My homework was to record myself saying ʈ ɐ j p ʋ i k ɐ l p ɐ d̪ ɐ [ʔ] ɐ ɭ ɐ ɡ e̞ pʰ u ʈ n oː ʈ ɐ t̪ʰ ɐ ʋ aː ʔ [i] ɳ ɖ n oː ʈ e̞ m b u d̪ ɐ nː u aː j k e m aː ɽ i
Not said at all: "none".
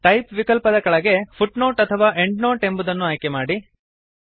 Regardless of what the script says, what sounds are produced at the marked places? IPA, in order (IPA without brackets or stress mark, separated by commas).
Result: k, e